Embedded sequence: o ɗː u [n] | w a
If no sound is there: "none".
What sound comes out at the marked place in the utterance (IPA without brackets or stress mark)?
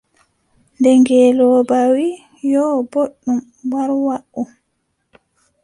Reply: m